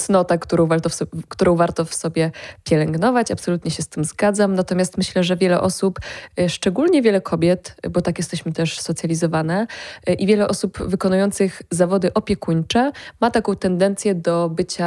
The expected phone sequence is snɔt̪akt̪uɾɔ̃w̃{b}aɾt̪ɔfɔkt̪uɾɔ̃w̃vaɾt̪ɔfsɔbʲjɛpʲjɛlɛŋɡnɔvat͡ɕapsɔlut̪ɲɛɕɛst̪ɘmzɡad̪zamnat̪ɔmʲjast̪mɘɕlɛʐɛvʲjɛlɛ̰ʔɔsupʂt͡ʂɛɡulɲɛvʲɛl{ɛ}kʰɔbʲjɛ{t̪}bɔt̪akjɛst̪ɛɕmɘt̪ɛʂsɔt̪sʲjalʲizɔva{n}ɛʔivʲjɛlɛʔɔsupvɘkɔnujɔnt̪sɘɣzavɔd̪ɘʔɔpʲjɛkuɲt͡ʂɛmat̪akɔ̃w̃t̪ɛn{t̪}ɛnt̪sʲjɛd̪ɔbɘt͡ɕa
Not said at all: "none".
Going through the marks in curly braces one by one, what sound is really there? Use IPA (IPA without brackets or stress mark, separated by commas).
v, ɛ, t̪, n, d̪